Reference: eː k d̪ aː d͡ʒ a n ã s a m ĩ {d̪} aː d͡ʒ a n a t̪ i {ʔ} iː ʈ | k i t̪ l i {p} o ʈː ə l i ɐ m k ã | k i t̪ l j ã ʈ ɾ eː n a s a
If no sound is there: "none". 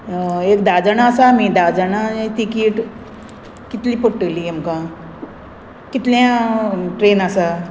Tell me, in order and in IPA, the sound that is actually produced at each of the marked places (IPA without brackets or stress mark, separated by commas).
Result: d̪, k, p